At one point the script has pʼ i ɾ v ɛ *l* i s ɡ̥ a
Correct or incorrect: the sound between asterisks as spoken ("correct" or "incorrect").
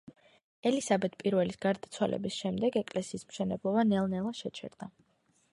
correct